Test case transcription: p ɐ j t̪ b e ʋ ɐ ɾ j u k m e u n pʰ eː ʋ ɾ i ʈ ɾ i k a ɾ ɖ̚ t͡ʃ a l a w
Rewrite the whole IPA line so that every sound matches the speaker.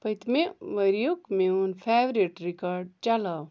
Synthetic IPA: p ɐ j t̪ m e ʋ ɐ ɾ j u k m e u n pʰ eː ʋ ɾ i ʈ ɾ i k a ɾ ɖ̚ t͡ʃ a l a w